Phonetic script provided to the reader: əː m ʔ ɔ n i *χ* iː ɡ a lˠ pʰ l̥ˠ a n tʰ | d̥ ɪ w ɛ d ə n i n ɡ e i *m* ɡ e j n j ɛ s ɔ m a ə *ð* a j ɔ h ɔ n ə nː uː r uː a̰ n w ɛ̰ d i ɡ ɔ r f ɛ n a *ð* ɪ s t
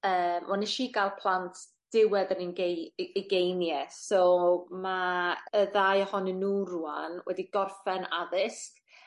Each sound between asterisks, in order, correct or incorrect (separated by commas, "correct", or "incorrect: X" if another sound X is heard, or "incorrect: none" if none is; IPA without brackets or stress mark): incorrect: ʃ, incorrect: none, correct, correct